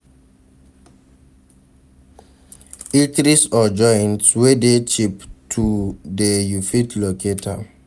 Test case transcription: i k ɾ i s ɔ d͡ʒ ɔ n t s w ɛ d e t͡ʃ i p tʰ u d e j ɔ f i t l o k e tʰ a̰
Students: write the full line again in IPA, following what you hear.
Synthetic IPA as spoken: i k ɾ i s ɔ d͡ʒ ɔ n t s w e d e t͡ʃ i p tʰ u d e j u f i t l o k e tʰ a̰